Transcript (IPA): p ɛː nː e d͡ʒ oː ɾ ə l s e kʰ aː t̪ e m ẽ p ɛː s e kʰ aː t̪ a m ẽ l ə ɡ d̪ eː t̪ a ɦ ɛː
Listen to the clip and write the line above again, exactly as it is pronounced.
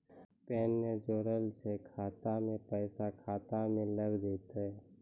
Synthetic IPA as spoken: p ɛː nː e d͡ʒ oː ɾ ə l s e kʰ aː t̪ a m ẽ p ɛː s a kʰ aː t̪ a m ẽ l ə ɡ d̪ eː t̪ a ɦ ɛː